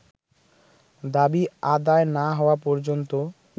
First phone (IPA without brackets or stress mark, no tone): d̪